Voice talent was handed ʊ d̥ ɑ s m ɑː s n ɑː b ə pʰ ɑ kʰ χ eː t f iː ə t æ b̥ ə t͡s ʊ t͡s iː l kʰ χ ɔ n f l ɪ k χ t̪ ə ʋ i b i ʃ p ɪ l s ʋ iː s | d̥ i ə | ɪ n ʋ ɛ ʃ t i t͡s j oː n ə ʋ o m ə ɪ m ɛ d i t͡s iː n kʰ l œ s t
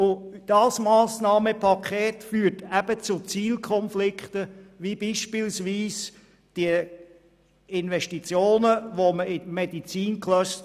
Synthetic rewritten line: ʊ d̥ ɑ s m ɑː s n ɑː m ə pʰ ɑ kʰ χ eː t f yː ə t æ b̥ ə t͡s ʊ t͡s iː l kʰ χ ɔ n f l ɪ k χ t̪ ə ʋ i b i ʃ p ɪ l s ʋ iː s | d̥ i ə | ɪ n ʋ ɛ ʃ t i t͡s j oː n ə ʋ o m ə ɪ m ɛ d i t͡s iː n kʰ l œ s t